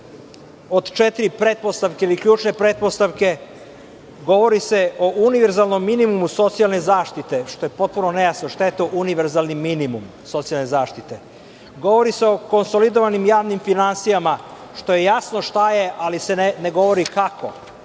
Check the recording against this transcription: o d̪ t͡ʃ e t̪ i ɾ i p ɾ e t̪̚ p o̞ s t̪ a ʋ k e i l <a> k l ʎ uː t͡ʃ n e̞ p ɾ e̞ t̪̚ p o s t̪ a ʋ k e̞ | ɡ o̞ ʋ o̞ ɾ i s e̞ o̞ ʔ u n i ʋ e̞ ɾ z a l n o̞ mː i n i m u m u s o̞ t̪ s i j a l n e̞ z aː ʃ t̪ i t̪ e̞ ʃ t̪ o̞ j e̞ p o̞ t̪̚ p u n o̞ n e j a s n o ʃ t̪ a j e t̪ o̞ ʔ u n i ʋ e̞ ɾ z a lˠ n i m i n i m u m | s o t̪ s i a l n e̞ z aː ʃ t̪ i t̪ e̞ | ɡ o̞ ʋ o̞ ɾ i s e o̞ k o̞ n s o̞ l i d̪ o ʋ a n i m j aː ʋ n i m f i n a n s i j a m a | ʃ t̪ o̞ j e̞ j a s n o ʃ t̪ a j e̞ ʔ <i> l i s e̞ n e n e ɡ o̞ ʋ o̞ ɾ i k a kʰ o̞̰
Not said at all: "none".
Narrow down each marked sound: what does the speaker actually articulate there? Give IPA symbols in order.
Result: i, a

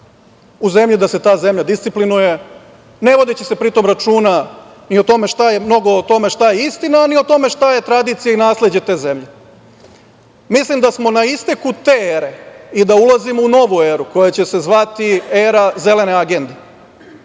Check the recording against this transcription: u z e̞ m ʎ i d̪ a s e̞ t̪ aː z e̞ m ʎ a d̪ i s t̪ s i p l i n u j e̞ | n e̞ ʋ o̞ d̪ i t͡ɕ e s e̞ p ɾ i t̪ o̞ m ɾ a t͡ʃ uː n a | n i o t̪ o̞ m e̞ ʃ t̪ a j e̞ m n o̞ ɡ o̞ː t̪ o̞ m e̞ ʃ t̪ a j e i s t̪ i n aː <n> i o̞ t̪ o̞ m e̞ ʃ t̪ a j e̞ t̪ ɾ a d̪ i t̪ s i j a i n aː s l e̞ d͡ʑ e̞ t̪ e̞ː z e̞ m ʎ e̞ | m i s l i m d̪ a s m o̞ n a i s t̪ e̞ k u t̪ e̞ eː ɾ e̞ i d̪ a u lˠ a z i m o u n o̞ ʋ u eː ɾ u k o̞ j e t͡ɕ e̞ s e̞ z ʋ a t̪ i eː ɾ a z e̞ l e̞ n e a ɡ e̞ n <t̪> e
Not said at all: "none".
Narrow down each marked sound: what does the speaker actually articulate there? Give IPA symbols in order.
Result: n, d̪

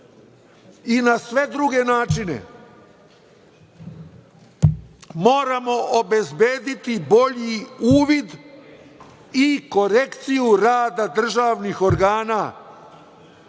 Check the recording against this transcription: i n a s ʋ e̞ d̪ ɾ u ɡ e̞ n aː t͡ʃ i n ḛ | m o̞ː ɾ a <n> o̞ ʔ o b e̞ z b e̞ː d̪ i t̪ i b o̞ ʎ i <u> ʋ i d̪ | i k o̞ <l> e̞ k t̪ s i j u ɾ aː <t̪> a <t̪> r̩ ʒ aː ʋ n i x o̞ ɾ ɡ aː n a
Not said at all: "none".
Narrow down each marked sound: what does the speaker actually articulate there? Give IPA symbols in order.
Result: m, uː, ɾ, d̪, d̪

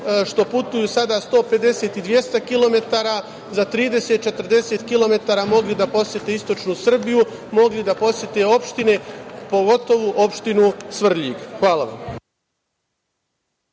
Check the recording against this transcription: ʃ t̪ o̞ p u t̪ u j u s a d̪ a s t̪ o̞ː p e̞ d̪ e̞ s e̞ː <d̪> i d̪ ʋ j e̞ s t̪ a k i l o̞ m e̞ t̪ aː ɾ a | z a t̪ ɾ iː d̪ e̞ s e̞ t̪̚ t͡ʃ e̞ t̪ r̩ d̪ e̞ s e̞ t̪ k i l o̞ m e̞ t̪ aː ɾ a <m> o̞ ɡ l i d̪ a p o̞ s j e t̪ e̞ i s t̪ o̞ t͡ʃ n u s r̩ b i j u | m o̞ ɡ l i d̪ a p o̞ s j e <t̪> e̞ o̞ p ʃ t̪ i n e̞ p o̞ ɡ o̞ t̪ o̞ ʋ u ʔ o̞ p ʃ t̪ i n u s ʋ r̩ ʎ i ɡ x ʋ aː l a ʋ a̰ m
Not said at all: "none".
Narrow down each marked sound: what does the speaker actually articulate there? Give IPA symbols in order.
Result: t̪, m, t̪

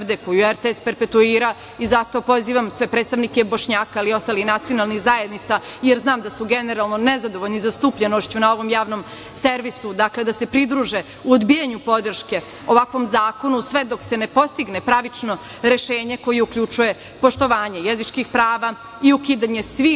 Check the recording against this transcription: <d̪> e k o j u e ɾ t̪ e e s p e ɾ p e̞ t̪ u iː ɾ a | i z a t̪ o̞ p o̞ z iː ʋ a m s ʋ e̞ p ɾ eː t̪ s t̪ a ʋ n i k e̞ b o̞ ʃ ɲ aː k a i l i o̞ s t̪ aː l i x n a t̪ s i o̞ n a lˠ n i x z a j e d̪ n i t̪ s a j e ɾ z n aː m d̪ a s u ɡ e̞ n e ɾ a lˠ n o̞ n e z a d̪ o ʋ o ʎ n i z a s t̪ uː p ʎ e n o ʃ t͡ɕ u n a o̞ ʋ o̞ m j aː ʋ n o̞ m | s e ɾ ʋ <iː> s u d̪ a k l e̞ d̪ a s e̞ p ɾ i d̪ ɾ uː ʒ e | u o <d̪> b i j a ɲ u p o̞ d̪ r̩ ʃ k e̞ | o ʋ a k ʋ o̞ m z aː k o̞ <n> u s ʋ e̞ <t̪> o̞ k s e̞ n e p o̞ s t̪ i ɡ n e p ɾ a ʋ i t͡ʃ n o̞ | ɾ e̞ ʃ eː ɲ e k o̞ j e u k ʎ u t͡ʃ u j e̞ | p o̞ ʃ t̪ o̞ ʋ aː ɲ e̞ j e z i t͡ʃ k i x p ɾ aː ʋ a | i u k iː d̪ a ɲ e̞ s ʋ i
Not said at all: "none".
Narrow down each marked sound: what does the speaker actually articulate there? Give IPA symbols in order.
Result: d̪, i, d̪, n, d̪

